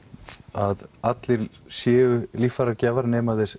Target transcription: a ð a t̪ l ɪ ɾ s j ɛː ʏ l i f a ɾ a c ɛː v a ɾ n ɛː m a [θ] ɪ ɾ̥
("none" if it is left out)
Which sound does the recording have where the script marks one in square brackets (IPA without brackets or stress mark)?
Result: ð